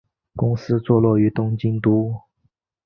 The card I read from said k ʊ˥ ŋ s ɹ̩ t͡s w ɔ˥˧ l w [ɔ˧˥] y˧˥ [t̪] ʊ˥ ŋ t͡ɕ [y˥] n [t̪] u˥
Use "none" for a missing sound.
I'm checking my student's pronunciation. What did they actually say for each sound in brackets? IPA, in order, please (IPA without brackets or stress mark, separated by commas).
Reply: ɔ˥˩, t̪, i˥, t̪